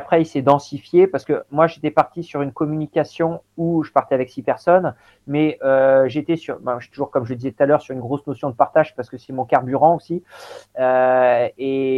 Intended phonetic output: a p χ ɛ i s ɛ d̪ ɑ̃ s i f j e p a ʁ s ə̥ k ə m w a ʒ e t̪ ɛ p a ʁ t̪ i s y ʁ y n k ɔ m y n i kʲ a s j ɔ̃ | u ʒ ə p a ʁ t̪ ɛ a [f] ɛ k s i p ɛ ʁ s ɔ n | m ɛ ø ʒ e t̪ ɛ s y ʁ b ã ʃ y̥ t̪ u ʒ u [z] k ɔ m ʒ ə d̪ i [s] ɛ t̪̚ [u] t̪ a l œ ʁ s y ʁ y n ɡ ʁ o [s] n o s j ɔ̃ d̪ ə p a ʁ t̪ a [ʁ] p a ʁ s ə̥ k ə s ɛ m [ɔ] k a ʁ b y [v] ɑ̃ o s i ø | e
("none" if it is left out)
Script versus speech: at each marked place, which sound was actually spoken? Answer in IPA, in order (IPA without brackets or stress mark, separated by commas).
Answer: v, ʁ, z, u, s, ʒ, ɔ̃, ʁ